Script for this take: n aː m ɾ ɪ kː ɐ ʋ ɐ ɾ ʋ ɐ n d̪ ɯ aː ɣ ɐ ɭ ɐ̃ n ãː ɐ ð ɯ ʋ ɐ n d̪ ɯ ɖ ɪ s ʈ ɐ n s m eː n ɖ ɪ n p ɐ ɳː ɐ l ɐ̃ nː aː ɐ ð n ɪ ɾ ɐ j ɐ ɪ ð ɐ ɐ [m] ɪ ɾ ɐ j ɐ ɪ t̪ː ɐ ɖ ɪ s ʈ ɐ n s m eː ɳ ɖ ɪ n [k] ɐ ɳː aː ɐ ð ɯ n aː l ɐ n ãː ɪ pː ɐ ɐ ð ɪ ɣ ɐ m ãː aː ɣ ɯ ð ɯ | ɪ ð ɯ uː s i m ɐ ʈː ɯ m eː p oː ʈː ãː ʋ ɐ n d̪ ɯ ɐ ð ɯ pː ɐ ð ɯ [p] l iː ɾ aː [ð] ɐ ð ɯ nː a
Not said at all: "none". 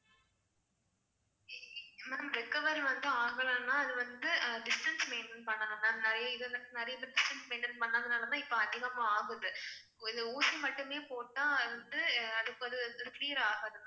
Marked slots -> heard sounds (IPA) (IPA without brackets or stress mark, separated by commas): n, p, k, ɣ